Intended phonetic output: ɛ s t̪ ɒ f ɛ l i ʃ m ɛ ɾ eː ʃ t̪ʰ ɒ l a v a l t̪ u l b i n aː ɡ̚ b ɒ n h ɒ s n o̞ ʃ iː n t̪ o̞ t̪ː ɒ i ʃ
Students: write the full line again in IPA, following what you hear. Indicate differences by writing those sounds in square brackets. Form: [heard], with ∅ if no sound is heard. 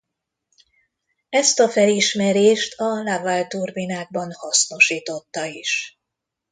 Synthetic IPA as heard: ɛ s t̪ ɒ f ɛ l i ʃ m ɛ ɾ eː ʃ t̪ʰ ɒ l a v a l t̪ u [r] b i n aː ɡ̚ b ɒ n h ɒ s n o̞ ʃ iː [∅] t̪ o̞ t̪ː ɒ i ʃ